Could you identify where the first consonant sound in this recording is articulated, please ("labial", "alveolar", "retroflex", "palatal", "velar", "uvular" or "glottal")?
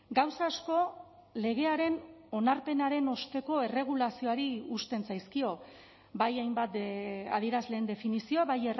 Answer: velar